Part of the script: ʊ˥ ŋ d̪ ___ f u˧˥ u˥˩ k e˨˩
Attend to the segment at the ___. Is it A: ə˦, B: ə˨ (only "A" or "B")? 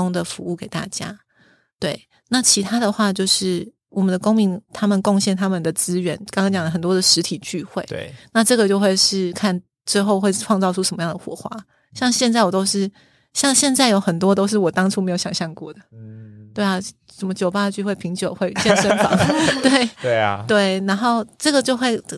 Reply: B